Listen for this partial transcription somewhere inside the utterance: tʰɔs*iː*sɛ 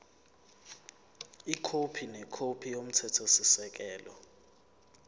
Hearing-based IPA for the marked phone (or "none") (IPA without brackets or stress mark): i